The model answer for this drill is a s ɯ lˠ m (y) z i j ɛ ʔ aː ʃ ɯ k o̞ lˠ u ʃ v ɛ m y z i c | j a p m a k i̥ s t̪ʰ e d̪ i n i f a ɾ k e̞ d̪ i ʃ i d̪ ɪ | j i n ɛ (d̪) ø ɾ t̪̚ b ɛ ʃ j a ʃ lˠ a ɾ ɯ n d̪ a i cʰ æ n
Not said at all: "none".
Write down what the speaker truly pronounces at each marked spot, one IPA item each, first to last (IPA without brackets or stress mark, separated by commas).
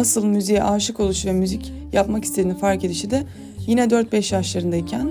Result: y, d̪